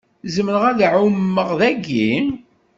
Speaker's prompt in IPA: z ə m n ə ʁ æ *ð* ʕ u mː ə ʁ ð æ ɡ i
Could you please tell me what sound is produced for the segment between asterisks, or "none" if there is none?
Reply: ð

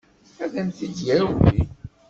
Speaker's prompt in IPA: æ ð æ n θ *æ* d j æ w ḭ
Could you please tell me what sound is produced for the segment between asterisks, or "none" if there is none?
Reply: i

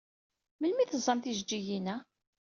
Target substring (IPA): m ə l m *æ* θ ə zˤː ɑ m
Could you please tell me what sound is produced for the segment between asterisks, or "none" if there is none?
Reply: i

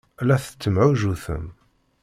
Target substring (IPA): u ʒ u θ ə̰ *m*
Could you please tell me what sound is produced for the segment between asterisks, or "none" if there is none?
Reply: m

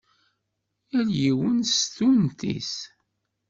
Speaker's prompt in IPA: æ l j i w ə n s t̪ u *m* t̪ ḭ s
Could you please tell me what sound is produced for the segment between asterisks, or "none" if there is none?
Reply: n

